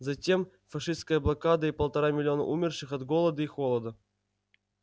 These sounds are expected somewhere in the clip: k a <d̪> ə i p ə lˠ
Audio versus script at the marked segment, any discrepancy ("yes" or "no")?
no